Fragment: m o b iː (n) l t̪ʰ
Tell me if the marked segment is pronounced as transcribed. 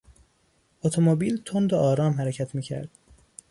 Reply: no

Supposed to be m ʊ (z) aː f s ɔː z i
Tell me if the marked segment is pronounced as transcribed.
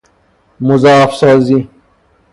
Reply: yes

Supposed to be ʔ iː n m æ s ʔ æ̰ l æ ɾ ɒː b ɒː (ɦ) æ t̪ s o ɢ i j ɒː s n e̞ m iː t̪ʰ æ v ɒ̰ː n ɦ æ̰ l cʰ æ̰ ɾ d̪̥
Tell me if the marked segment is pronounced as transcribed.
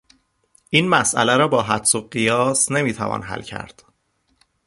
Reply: yes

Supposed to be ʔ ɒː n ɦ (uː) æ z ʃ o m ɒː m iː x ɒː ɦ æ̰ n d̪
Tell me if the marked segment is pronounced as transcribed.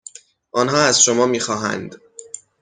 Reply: no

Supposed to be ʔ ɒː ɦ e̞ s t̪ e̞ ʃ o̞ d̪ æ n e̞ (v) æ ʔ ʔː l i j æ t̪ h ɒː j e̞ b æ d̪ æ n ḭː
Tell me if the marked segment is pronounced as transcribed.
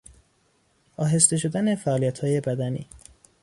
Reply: no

